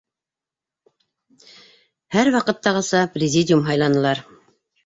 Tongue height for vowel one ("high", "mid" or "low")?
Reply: low